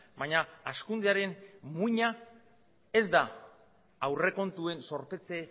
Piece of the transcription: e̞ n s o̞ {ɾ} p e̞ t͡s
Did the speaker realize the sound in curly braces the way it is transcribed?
yes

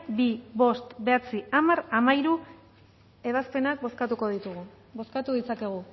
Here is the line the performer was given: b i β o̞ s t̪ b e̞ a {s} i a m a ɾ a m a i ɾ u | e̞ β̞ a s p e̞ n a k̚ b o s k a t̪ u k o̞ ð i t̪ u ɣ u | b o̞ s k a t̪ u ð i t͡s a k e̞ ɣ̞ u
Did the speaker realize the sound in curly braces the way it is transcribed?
no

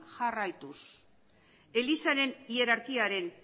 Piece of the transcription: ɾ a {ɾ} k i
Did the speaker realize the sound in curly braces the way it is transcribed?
yes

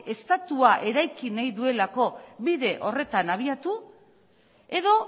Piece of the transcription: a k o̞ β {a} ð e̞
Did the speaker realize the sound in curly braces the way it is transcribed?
no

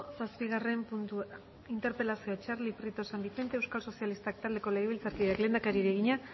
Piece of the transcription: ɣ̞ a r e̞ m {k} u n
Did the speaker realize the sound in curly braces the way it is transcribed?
no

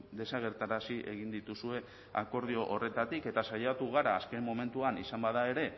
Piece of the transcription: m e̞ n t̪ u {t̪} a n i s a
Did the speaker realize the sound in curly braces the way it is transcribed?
no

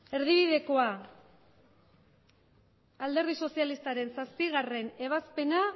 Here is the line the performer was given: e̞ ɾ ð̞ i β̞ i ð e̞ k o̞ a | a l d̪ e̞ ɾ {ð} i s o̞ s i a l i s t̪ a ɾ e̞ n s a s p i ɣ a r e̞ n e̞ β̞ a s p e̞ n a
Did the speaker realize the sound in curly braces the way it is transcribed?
yes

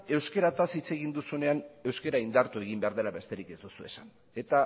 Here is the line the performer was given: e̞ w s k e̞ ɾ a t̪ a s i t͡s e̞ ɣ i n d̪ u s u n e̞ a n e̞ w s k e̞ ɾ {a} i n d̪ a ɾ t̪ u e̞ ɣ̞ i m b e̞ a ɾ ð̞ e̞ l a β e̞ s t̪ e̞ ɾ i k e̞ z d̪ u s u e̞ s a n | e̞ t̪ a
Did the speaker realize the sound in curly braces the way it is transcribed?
yes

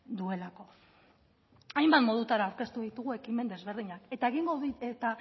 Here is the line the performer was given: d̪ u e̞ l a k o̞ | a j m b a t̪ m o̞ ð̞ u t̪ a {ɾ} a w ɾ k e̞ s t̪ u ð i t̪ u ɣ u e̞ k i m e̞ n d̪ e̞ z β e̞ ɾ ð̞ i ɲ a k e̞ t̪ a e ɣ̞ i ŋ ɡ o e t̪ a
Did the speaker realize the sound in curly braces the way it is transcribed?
yes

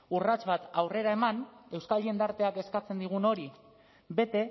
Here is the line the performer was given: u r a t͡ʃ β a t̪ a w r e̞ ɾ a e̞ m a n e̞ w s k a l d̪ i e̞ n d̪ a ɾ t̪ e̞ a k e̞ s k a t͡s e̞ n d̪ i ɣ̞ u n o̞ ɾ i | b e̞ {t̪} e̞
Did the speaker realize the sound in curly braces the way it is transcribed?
yes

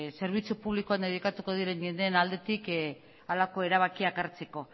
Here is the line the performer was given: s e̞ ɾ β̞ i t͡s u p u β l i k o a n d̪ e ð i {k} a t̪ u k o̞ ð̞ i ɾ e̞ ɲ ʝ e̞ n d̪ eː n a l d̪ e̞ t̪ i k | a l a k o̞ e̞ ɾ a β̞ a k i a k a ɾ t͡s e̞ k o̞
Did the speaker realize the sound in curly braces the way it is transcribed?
yes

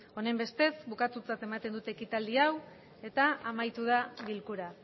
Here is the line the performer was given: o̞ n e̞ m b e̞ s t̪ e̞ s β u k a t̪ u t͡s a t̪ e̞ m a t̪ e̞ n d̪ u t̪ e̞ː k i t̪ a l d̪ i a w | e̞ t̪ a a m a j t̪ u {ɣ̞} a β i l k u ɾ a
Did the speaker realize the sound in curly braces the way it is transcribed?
no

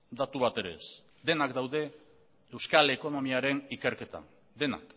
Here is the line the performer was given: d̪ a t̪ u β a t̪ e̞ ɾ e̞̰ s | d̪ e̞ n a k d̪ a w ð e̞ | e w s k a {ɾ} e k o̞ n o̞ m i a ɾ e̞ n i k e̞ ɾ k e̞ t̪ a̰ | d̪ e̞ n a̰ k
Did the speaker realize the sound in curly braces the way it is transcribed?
no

